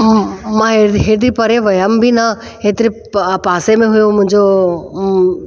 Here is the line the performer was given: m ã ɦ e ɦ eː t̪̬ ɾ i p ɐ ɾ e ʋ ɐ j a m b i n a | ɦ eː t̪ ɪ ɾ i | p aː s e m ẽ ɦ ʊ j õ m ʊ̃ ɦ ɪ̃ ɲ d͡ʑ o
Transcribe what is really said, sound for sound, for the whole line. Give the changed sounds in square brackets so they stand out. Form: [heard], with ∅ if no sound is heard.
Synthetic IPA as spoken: m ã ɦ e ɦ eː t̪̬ ɾ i p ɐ ɾ e ʋ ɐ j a m b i n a | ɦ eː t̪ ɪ ɾ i | p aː s e m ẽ ɦ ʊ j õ m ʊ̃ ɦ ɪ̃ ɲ d͡ʑ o